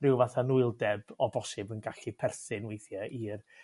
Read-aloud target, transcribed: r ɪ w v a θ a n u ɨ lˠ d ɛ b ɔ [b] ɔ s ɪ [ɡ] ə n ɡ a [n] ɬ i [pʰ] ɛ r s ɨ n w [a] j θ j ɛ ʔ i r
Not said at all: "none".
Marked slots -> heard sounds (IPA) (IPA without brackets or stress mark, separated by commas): b, b, none, pʰ, e